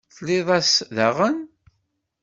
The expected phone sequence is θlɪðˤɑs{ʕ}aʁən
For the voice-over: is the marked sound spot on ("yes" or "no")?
no